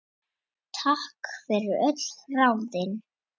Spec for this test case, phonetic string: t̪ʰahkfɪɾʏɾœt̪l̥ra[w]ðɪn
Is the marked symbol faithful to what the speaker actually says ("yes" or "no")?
yes